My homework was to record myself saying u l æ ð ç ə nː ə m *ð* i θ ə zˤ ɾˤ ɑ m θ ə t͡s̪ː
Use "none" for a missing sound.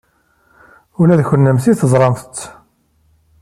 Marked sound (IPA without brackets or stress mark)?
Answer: θ